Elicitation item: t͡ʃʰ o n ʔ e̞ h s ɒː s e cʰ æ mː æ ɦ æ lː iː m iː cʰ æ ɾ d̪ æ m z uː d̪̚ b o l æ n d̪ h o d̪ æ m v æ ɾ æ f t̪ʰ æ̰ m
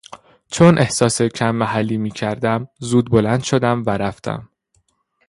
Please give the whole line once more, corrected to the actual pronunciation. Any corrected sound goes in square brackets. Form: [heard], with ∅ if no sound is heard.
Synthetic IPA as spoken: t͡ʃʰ o n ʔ e̞ h s ɒː s e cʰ æ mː æ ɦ æ lː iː m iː cʰ æ ɾ d̪ æ m z uː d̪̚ b o l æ n d̪ [ʃ] o d̪ æ m v æ ɾ æ f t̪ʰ æ̰ m